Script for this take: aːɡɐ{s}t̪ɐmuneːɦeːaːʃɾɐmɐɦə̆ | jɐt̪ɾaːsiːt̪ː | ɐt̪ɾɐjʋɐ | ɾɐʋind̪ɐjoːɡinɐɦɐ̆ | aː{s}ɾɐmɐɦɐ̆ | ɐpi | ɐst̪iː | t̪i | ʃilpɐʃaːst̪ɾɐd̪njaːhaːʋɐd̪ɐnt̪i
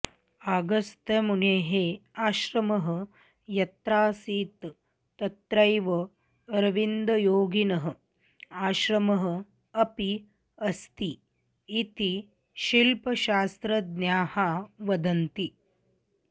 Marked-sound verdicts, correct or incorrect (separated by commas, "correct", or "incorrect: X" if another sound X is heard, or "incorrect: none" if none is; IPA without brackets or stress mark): correct, incorrect: ʃ